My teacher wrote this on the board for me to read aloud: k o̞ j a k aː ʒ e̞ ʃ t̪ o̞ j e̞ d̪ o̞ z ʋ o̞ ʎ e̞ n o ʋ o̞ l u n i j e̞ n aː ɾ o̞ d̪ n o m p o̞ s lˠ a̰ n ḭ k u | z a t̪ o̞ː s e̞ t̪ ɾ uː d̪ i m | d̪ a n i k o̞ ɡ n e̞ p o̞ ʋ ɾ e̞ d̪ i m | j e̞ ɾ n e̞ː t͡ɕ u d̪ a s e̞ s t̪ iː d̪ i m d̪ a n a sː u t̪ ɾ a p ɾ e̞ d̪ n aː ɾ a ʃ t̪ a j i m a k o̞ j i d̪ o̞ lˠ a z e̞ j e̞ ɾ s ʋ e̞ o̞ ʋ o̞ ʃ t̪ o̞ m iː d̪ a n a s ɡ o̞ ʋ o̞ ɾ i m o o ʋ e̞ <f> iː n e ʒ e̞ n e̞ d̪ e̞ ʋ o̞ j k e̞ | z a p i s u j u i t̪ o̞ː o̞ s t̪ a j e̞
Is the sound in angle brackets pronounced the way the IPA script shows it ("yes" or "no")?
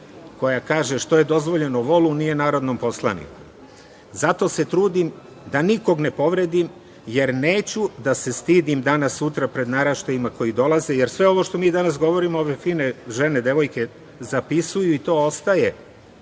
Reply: yes